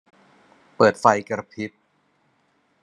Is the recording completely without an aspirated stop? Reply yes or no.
no